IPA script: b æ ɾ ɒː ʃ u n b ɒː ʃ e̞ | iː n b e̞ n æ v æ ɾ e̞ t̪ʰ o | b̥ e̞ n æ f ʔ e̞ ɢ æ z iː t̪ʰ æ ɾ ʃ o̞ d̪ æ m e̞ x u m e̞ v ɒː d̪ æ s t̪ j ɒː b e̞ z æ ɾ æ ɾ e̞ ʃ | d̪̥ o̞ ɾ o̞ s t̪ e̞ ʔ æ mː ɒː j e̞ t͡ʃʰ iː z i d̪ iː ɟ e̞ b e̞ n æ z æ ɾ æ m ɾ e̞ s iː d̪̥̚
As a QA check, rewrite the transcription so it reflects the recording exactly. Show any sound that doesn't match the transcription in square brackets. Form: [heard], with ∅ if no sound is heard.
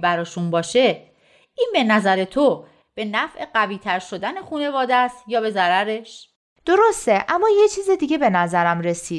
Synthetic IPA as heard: b æ ɾ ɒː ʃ u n b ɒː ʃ e̞ | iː n b e̞ n æ [z] æ ɾ e̞ t̪ʰ o | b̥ e̞ n æ f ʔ e̞ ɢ æ [v] iː t̪ʰ æ ɾ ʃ o̞ d̪ æ [n] e̞ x u [n] e̞ v ɒː d̪ æ s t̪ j ɒː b e̞ z æ ɾ æ ɾ e̞ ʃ | d̪̥ o̞ ɾ o̞ s t̪ e̞ ʔ æ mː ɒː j e̞ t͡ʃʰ iː z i d̪ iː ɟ e̞ b e̞ n æ z æ ɾ æ m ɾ e̞ s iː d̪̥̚